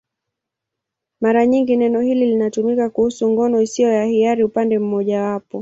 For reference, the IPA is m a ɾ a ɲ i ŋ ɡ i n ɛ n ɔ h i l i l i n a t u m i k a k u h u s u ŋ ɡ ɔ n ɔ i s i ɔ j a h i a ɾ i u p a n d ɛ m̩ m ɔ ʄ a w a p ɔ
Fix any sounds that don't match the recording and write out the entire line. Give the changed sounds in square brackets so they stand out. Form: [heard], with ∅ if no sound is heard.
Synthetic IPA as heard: m a ɾ a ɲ i ŋ ɡ i n ɛ n ɔ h i l i l i n a t u m i k a k u h u s u ŋ ɡ ɔ n ɔ i s i ɔ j a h i a ɾ i u p a n d ɛ m̩ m ɔ ʄ a w a p ɔ